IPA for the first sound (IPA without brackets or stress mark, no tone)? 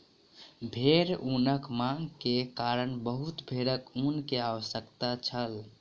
bʱ